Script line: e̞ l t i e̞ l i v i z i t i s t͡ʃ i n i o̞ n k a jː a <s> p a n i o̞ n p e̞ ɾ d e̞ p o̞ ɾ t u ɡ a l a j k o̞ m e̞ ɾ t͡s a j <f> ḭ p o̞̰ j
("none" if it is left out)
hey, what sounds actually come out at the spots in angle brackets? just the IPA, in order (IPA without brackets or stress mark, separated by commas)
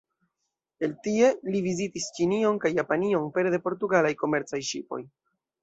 none, ʃ